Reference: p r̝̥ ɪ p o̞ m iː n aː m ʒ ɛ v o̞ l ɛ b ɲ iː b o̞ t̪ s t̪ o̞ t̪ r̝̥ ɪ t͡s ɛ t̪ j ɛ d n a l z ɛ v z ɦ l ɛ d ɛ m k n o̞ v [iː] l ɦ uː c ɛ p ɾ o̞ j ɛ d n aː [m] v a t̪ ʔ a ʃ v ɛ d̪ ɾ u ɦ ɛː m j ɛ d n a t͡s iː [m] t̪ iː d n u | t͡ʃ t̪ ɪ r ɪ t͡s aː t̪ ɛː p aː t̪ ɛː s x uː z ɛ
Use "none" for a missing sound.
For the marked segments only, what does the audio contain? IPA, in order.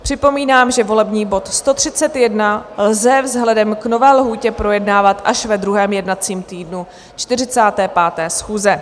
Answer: ɛː, none, m

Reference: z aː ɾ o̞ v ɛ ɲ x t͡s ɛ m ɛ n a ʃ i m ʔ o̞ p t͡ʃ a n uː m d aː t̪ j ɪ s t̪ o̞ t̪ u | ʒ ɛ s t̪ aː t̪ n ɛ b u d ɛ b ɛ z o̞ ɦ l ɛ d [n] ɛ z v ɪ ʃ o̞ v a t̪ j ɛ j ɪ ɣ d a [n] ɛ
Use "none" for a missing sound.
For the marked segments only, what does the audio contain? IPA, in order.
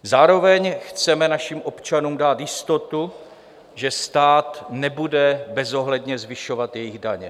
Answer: ɲ, ɲ

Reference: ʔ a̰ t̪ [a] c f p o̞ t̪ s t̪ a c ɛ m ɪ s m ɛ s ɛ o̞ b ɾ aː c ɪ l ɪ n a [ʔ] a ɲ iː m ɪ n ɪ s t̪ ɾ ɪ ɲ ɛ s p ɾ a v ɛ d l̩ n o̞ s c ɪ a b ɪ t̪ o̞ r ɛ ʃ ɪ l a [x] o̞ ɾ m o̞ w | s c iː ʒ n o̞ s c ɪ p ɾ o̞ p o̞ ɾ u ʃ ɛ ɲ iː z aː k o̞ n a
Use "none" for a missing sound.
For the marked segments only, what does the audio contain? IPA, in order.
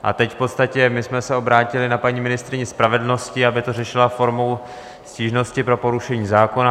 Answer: ɛ, p, f

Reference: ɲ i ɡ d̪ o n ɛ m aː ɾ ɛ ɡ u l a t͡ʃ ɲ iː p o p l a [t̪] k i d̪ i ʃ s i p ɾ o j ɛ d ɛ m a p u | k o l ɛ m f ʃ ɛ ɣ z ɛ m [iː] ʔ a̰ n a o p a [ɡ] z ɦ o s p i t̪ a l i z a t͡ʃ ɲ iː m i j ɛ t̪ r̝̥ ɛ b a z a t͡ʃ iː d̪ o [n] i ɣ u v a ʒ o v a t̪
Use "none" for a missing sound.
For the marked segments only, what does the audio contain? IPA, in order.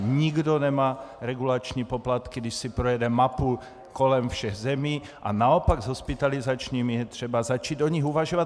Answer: t̪, iː, ɡ, ɲ

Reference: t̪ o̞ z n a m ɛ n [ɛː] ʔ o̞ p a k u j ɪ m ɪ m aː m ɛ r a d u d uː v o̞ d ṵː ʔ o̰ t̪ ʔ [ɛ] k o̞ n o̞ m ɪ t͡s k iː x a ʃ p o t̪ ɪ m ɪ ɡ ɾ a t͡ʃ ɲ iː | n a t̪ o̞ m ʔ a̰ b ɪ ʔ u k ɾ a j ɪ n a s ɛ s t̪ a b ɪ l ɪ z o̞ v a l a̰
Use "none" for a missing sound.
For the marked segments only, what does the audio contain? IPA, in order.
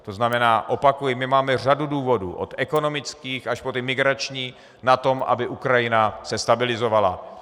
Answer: aː, ɛ

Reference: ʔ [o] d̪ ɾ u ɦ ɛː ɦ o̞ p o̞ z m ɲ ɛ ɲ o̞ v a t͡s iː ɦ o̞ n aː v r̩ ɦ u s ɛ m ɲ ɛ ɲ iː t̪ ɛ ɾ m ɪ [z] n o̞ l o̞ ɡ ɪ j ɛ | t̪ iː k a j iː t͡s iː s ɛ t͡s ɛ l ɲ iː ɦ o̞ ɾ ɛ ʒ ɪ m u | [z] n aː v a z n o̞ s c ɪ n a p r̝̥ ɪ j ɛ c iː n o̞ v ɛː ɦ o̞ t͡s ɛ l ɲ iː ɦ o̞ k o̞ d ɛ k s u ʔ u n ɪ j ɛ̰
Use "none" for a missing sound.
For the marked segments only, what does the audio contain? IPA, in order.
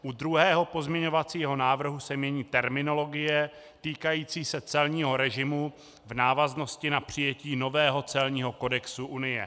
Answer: u, none, v

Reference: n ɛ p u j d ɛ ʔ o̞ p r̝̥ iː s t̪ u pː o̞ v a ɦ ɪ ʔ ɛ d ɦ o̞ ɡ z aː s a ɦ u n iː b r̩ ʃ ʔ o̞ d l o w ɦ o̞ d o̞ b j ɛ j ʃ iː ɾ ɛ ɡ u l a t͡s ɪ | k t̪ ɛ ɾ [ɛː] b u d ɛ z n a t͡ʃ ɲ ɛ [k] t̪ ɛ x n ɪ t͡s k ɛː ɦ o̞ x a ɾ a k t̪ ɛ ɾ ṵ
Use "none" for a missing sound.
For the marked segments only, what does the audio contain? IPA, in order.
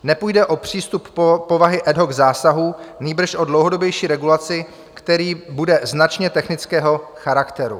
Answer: iː, none

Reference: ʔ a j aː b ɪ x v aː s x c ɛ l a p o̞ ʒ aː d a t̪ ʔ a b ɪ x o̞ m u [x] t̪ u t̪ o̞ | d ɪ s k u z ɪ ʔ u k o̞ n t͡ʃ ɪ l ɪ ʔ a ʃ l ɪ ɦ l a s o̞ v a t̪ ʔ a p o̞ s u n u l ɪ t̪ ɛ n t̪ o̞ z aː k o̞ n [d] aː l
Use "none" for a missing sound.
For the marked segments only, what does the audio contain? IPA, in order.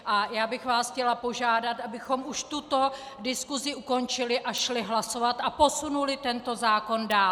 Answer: ʃ, d

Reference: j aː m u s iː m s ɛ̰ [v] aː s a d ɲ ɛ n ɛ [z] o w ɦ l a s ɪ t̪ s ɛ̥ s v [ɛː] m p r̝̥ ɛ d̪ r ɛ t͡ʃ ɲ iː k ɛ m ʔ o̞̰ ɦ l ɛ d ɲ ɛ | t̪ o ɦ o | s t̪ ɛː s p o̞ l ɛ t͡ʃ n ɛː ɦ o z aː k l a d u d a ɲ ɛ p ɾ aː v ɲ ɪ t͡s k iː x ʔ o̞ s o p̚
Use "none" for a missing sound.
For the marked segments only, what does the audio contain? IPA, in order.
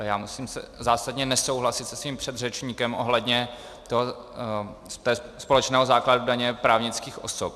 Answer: z, s, iː

